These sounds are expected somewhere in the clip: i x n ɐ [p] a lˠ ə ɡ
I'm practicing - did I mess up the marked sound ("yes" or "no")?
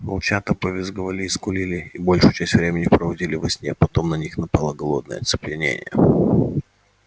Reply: no